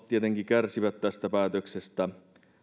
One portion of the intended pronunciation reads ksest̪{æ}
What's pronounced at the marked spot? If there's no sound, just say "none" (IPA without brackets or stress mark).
æ